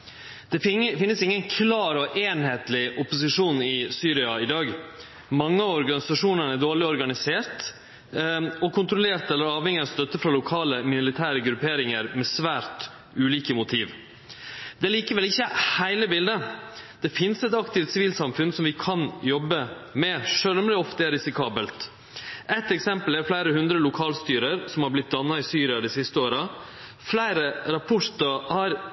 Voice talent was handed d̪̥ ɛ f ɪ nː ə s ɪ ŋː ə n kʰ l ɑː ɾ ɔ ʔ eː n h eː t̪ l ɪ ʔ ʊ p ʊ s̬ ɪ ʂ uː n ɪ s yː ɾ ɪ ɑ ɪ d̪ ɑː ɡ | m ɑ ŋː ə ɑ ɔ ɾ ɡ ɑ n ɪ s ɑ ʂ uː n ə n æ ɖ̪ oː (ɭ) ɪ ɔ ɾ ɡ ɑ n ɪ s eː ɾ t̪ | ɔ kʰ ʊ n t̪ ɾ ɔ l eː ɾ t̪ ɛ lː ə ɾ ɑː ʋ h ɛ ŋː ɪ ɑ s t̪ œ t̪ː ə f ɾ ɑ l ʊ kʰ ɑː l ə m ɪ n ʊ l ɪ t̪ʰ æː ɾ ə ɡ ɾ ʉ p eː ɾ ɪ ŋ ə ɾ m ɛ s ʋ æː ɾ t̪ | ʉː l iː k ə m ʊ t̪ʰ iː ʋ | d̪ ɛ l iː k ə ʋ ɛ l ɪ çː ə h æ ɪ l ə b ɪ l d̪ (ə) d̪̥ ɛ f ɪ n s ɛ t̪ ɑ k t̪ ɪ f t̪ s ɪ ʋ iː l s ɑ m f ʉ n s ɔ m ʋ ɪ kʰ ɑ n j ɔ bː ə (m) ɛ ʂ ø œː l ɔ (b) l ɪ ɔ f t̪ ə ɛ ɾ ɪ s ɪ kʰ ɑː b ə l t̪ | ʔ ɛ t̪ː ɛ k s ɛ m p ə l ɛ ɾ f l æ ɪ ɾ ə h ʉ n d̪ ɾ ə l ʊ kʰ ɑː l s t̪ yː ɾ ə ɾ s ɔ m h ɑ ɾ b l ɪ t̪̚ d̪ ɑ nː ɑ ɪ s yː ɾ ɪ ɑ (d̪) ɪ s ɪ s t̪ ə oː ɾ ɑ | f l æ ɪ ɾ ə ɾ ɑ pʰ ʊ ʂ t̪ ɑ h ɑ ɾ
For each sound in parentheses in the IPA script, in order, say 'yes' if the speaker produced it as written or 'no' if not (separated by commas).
yes, yes, yes, no, yes